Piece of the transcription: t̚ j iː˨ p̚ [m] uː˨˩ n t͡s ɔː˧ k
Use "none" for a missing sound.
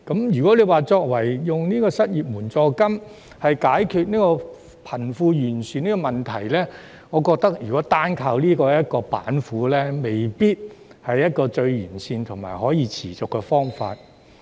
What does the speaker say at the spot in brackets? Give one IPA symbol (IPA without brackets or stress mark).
m